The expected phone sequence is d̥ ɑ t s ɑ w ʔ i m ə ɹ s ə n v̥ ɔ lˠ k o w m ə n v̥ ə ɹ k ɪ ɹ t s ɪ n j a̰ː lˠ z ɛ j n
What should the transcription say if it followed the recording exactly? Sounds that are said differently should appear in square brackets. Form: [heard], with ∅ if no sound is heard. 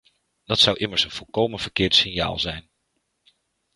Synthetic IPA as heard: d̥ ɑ t s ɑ w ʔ [ɪ] m ə ɹ s ə n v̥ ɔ lˠ k o w m ə n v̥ ə ɹ k [ɪː] ɹ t s ɪ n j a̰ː lˠ z ɛ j n